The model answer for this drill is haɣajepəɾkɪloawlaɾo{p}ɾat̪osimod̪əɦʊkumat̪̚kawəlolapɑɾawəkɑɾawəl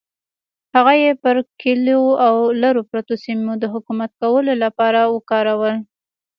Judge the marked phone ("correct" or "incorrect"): correct